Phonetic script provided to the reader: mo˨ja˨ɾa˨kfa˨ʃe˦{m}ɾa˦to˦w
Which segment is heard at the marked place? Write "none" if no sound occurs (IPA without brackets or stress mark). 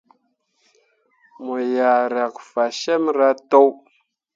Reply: m